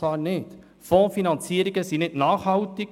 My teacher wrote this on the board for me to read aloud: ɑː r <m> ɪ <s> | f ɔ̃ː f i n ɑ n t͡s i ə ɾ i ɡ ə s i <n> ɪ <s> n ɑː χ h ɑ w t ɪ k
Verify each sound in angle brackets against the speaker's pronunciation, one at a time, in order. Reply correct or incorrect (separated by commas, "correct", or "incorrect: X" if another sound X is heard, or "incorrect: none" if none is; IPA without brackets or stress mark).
incorrect: n, incorrect: t, correct, incorrect: t